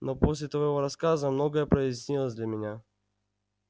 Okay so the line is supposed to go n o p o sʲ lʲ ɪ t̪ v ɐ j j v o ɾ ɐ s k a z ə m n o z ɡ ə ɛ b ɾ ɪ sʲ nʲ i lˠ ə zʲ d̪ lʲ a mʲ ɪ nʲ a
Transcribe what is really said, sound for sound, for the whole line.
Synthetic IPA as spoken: n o p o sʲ lʲ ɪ t̪ v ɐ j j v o ɾ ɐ s k a z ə m n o ɡ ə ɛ p ɾ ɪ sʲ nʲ i lˠ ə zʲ d̪ lʲ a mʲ ɪ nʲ a